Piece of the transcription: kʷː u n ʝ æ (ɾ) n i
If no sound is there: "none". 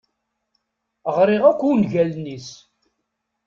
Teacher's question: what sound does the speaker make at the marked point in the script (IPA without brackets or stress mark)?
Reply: l